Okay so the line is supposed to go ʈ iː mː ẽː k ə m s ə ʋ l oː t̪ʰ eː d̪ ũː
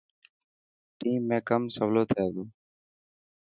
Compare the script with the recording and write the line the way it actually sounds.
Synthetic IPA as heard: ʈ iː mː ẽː k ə m s ə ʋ l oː t̪ʰ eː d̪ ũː